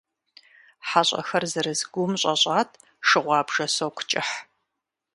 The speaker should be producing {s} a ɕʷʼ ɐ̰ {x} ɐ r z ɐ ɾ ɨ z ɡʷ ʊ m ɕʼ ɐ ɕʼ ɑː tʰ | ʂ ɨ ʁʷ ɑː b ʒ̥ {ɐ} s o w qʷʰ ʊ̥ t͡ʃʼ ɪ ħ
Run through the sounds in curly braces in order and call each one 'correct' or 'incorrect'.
incorrect, correct, correct

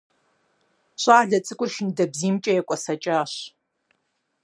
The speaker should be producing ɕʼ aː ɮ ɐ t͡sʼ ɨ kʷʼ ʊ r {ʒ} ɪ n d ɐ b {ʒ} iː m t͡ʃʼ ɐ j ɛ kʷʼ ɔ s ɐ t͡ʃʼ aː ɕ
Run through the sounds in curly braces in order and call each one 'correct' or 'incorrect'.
incorrect, incorrect

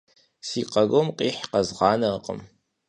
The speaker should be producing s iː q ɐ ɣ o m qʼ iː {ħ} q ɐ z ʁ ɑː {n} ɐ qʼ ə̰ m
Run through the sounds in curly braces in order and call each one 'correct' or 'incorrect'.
correct, correct

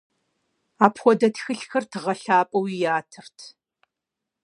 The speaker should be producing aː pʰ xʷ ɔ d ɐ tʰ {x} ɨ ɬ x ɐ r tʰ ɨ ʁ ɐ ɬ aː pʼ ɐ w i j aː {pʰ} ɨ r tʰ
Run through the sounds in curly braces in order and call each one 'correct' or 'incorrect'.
correct, incorrect

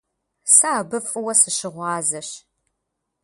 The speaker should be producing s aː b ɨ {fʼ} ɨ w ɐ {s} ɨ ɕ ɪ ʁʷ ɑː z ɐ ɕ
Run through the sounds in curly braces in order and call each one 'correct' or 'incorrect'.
correct, correct

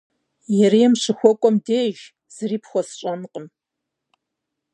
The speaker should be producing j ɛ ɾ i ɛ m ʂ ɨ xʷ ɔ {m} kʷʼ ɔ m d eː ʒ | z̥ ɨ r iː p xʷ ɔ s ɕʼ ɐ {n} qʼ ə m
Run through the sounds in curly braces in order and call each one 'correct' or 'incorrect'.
incorrect, correct

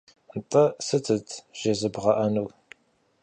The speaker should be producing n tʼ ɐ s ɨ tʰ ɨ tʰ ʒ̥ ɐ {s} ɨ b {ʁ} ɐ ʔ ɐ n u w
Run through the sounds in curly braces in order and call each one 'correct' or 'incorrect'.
incorrect, correct

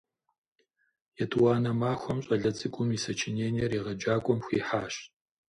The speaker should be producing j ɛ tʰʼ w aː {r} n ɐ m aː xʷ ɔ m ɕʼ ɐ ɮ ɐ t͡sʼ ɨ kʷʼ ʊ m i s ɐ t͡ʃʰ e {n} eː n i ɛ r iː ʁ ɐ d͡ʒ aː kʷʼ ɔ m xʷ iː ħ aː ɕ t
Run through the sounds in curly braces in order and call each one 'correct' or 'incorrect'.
incorrect, correct

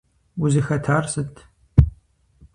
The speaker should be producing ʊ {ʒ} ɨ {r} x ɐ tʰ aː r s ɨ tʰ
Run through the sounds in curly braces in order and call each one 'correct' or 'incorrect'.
incorrect, incorrect

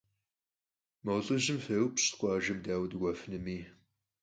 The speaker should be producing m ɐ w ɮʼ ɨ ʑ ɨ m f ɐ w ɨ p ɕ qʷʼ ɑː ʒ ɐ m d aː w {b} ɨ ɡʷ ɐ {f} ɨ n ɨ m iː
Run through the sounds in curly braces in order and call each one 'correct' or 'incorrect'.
incorrect, correct

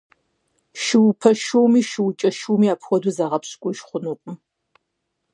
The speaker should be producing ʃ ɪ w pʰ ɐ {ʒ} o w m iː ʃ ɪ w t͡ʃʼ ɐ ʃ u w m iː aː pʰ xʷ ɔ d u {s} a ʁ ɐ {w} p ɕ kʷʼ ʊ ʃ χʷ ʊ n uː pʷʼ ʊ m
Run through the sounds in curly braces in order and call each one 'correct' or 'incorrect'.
incorrect, incorrect, incorrect

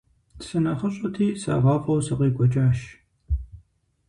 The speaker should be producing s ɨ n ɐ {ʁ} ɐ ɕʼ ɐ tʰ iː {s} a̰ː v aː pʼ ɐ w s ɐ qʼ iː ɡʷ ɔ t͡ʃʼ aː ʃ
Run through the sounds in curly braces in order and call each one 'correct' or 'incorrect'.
incorrect, correct

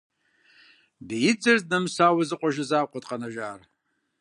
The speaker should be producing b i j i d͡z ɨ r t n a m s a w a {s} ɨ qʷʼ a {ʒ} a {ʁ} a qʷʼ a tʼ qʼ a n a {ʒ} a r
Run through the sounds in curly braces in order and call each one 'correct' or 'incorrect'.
incorrect, correct, incorrect, correct

